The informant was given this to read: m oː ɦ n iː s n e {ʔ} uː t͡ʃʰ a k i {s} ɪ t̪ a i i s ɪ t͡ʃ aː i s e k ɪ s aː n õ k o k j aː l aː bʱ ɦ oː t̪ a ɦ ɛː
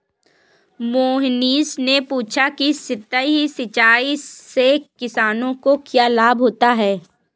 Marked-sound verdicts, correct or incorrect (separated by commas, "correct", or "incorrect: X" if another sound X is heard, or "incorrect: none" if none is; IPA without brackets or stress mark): incorrect: p, correct